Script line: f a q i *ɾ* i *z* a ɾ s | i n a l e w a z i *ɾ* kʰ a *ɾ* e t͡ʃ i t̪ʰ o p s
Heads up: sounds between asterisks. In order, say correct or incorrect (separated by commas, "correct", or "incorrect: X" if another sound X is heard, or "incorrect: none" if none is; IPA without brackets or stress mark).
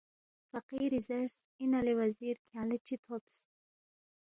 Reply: correct, correct, correct, incorrect: l